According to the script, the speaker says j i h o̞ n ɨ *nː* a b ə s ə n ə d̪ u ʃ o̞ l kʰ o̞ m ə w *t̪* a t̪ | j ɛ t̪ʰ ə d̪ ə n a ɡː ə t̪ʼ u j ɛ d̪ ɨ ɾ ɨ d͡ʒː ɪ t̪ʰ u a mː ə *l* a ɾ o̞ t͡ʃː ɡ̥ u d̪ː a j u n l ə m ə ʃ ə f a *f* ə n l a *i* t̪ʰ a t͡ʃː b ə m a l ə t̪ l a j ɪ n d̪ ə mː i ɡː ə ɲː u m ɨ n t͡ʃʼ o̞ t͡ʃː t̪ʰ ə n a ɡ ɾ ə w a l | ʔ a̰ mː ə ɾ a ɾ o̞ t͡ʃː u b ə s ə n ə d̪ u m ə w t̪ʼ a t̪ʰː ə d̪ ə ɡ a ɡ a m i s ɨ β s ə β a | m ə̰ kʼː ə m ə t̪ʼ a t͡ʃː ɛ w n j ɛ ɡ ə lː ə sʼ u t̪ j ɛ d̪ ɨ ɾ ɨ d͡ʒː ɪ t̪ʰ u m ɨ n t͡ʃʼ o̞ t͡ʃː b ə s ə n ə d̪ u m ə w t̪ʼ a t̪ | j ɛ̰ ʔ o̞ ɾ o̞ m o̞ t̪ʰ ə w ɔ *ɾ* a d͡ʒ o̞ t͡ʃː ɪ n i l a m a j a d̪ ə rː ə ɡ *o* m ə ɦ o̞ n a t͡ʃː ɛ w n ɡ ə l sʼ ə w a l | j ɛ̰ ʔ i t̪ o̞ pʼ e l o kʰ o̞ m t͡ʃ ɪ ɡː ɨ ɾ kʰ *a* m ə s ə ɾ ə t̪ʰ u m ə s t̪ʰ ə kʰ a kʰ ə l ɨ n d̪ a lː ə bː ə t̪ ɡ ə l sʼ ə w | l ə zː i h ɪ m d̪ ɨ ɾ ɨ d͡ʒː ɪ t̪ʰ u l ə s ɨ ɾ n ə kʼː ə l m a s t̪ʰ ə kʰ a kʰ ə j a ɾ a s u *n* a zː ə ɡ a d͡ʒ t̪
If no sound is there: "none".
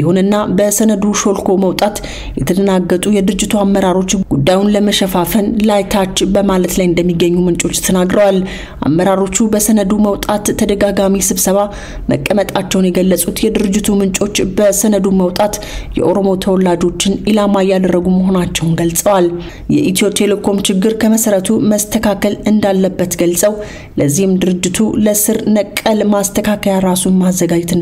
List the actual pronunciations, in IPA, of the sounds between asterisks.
nː, t̪ʼ, ɾ, f, j, l, u, ə, m

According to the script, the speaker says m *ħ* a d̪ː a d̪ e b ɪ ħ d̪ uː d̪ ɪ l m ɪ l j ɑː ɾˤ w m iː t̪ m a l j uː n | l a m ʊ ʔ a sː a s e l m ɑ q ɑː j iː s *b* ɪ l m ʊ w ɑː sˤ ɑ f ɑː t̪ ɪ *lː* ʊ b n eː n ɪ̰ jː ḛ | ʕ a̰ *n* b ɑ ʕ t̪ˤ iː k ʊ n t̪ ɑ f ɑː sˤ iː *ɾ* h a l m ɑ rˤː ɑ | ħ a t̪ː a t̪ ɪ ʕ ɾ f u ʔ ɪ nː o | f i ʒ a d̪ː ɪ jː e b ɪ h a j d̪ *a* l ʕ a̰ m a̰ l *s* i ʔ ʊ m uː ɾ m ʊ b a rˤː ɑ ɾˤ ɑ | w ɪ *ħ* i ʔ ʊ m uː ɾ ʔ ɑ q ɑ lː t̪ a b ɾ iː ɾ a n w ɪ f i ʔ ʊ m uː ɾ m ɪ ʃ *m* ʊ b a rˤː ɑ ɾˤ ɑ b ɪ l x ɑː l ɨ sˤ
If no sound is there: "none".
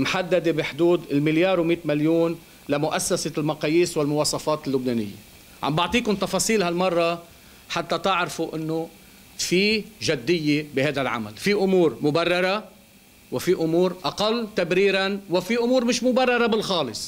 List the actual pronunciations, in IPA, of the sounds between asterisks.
ħ, w, lː, m, l, a, f, f, m

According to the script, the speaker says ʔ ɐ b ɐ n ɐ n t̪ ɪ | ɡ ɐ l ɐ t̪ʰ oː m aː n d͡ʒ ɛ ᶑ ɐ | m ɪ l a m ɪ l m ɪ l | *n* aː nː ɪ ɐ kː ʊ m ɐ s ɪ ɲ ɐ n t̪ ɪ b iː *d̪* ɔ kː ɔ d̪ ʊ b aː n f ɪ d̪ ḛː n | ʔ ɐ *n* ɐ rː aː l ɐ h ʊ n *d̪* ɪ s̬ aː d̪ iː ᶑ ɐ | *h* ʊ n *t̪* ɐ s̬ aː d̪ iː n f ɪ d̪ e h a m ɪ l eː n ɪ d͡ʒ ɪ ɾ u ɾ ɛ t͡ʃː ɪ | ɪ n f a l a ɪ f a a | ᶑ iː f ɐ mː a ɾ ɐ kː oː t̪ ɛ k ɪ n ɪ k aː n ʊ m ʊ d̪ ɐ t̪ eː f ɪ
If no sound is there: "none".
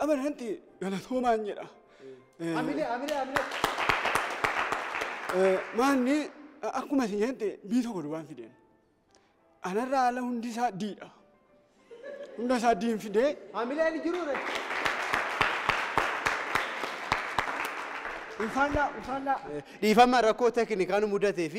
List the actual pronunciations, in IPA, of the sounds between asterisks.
m, t̪, n, d̪, h, d̪

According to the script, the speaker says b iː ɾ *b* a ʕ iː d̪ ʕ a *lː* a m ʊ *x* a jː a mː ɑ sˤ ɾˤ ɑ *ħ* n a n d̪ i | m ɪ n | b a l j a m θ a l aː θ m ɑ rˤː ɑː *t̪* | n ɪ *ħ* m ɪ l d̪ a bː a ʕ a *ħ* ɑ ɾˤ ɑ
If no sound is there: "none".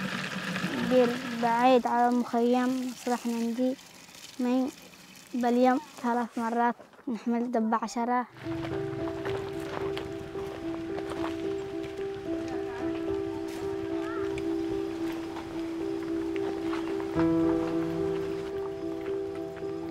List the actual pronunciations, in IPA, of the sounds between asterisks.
b, l, x, ħ, t̪, ħ, ʃ

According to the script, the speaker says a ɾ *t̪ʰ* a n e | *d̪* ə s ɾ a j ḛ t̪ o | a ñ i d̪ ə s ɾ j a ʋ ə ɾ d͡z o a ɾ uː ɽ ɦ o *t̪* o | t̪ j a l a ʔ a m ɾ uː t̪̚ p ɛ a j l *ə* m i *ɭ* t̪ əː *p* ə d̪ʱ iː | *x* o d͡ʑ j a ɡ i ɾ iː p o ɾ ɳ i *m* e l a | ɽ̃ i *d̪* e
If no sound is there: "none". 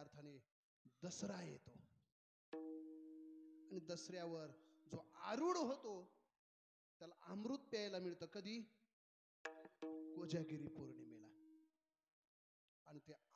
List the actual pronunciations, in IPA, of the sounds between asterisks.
t̪ʰ, d̪, t̪, a, ɭ, k, k, m, t̪

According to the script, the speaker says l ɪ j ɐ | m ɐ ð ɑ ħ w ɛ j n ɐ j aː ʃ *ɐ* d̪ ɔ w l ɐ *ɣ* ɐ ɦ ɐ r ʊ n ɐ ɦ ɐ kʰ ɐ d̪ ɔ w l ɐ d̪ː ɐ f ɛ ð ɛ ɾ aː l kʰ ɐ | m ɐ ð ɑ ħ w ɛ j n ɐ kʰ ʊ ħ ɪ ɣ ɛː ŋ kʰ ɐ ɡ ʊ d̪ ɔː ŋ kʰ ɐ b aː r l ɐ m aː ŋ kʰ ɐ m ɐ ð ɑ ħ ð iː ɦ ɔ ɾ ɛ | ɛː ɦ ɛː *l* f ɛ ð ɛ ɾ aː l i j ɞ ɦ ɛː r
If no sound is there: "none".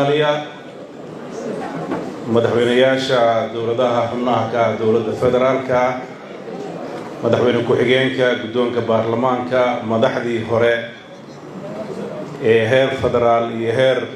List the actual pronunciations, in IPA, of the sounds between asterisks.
ɐ, ð, r

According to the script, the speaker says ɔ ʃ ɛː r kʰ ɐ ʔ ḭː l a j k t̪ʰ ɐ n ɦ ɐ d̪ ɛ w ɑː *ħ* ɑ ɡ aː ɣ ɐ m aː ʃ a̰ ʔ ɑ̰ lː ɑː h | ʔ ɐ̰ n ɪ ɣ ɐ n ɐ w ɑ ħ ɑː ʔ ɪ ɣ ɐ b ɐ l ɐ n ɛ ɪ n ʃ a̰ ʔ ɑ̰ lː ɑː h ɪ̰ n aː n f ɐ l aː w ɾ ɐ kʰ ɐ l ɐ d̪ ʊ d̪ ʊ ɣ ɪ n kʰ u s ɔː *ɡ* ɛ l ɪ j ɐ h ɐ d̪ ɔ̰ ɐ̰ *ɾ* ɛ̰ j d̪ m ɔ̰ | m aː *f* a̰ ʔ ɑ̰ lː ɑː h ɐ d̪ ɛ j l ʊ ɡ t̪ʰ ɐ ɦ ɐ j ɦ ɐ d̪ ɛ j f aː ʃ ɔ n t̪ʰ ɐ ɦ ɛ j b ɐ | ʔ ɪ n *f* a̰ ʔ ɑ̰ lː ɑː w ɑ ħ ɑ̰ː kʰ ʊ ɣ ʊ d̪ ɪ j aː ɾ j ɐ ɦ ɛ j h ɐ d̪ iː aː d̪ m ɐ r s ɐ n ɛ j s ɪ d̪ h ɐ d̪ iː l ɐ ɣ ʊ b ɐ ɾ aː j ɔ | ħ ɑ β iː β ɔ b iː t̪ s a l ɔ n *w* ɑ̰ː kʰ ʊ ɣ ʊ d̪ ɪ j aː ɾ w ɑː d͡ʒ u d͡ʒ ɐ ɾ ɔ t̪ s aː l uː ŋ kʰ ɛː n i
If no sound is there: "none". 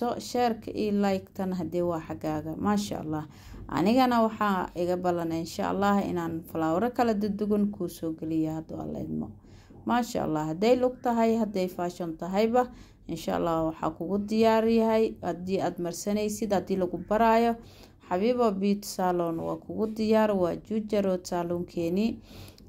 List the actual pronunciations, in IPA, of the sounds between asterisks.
ħ, ɡ, l, ʃ, ʃ, w

